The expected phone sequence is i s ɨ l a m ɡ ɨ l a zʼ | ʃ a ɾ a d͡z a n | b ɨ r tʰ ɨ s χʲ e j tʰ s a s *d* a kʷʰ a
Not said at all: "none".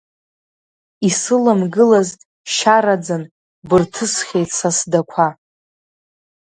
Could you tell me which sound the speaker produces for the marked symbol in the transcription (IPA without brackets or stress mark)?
d